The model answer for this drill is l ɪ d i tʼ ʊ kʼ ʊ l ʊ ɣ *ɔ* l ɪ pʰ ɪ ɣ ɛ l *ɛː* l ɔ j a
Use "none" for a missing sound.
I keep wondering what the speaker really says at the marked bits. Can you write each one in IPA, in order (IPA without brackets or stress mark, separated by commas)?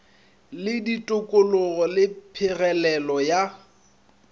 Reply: ɔ, ɛ